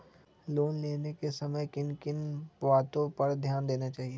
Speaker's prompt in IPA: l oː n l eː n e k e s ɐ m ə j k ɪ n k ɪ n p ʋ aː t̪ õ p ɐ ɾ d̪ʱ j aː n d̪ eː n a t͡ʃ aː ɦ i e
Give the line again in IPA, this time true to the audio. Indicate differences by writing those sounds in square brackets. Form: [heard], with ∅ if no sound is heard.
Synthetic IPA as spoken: l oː n l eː n e k e s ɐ m ə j k ɪ n k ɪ n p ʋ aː t̪ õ p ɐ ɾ d̪ʱ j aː n d̪ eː n a t͡ʃ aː ɦ i e